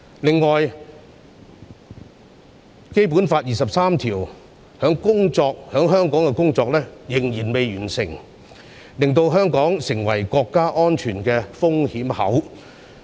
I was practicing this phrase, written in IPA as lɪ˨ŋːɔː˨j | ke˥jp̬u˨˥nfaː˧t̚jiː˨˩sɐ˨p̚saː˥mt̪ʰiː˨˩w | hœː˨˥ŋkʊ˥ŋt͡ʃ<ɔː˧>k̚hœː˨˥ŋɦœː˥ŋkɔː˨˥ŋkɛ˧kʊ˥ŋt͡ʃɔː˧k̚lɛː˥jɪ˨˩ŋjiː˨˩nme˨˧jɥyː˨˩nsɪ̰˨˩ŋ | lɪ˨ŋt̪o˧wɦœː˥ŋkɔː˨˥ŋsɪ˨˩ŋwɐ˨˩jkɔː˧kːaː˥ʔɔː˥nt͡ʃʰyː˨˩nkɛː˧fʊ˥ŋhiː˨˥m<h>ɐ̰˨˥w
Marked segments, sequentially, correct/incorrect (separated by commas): correct, correct